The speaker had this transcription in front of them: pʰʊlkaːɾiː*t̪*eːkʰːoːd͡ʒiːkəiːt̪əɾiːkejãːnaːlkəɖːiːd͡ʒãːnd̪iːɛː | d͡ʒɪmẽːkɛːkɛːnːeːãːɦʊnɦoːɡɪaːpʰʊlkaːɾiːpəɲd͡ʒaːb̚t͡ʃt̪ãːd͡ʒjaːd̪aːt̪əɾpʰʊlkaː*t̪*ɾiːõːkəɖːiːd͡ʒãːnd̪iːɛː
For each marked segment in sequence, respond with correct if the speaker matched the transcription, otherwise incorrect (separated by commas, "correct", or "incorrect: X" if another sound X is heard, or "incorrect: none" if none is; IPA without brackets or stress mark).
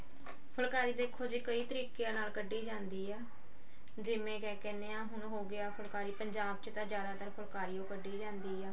incorrect: d̪, incorrect: none